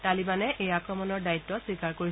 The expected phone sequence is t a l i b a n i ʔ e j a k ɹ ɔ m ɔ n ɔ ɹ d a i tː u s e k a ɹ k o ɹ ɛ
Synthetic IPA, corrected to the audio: t a l i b a n ɛ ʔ e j a k ɹ ɔ m ɔ n ɔ ɹ d a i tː ɔ s i k a ɹ k o ɹ i